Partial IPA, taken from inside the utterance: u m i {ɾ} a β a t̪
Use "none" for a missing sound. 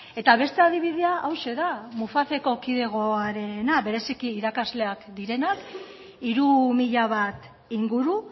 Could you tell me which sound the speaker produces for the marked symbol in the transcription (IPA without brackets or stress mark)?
ʎ